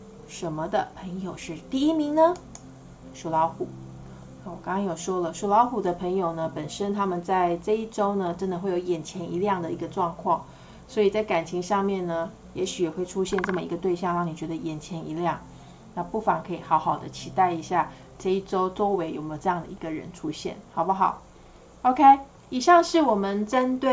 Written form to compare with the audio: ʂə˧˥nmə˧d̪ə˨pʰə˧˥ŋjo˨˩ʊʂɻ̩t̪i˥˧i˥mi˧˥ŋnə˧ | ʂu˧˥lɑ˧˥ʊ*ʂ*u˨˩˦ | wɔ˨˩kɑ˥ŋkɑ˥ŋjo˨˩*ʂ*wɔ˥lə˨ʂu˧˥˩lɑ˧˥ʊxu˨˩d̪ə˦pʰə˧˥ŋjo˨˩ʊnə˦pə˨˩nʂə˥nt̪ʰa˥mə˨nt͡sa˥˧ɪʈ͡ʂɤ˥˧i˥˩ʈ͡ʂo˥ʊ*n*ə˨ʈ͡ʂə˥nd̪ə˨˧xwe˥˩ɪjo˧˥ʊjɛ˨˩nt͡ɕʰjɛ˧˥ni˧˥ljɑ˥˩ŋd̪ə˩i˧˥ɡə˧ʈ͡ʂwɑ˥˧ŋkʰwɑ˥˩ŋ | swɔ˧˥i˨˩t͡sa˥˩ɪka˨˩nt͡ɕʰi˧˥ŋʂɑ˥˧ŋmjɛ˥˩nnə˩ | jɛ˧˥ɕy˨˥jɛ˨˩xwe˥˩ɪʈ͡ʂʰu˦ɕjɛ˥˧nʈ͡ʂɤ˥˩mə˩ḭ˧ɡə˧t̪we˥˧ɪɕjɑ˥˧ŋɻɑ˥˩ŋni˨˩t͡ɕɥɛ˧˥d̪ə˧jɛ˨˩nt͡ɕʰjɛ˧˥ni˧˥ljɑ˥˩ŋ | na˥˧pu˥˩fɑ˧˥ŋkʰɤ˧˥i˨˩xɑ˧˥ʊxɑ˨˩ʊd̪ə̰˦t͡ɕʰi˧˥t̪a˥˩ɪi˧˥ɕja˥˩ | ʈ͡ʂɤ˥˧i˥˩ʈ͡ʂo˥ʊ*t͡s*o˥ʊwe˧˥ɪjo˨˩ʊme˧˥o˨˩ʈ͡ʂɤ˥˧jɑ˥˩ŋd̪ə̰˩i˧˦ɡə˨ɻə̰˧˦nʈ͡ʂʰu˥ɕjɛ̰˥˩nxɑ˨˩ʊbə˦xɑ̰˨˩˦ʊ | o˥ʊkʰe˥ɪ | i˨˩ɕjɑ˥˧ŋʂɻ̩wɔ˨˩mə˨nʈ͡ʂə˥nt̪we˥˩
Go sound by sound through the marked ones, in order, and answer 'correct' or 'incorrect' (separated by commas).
incorrect, correct, correct, correct